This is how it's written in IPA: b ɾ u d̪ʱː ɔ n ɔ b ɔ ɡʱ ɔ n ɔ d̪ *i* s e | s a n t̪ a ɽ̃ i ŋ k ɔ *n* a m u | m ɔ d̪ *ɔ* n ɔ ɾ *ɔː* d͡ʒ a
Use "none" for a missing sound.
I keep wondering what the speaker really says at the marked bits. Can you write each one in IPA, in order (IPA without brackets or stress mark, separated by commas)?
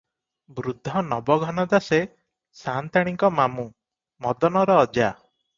a, m, ɔ, ɔː